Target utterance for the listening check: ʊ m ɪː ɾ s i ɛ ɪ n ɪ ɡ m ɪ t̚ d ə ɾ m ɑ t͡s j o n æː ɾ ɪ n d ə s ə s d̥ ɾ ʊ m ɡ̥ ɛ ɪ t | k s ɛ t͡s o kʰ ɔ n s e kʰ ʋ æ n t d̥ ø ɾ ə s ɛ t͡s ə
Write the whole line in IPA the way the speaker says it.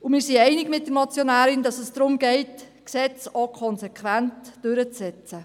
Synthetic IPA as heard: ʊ m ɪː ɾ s i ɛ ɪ n ɪ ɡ m ɪ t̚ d ə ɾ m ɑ t͡s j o n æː ɾ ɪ n d ɑ s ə s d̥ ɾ ʊ m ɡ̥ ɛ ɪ t | k s ɛ t͡s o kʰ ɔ n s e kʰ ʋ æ n t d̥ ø ɾ ə t͡s ɛ t͡s ə